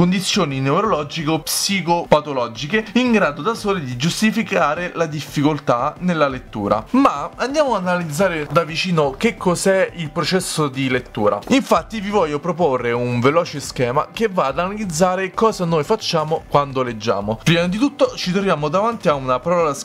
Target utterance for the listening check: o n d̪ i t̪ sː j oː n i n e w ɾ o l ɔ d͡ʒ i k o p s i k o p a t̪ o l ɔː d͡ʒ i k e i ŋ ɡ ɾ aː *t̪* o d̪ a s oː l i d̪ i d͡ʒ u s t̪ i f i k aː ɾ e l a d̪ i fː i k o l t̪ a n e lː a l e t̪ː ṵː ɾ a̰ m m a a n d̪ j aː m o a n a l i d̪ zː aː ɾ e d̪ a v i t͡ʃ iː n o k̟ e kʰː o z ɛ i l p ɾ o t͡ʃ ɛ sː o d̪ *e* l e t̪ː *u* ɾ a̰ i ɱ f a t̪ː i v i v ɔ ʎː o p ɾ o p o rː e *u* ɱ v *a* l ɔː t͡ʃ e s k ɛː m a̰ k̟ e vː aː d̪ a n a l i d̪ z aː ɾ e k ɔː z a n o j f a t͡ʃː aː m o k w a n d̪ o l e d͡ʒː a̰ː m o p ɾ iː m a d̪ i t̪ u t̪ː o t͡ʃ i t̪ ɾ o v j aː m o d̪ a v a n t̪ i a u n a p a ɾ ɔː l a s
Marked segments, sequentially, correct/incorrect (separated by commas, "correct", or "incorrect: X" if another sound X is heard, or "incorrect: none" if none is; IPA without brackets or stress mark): incorrect: d̪, incorrect: i, incorrect: uː, correct, incorrect: e